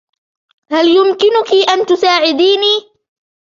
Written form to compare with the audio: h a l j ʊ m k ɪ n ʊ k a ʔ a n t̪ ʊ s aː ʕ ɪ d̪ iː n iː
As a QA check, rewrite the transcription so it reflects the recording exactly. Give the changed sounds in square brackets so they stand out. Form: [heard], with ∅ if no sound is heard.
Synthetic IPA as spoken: h a l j ʊ m k ɪ n ʊ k [i] ʔ a n t̪ ʊ s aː ʕ ɪ d̪ iː n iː